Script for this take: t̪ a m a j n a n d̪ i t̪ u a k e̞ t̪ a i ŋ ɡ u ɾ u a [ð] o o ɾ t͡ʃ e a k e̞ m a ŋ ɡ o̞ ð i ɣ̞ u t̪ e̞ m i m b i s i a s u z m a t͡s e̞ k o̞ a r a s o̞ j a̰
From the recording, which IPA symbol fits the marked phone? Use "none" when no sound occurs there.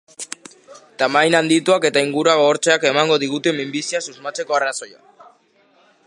ɣ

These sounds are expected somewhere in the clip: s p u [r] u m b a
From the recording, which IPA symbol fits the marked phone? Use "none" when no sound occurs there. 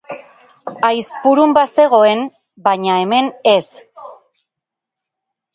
ɾ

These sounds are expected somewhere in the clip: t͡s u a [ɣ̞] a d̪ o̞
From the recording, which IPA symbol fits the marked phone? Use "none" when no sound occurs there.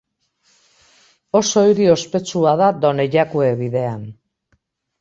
ð̞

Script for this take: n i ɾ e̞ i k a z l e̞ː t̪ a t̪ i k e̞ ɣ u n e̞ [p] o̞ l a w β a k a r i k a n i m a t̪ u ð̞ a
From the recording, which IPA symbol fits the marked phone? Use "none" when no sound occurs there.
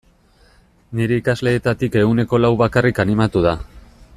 k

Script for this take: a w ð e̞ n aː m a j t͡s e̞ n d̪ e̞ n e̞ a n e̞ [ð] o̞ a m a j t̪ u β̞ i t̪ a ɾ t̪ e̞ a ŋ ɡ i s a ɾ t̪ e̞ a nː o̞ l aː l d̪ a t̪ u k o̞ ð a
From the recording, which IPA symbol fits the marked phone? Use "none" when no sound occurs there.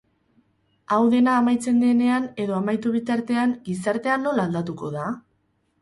ð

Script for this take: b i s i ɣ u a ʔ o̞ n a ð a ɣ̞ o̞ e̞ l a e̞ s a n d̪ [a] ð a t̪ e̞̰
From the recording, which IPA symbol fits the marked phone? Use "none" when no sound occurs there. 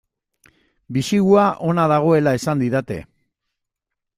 i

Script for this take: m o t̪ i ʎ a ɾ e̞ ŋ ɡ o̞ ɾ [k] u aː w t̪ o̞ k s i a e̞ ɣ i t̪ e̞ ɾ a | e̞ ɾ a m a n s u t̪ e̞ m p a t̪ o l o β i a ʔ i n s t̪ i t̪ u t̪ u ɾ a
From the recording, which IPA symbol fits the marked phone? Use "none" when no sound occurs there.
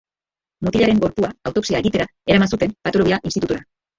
p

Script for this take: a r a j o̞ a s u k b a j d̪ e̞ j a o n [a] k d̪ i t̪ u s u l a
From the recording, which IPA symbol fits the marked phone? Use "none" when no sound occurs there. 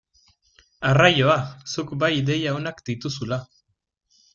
a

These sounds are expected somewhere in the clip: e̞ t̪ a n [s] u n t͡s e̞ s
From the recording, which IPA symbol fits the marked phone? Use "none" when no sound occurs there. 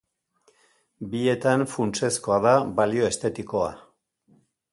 f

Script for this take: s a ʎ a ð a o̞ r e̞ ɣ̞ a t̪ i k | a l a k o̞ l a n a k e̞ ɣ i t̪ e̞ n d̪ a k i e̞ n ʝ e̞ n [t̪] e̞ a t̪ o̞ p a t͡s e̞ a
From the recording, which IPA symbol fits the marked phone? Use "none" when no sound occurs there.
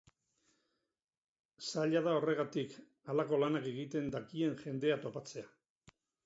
d̪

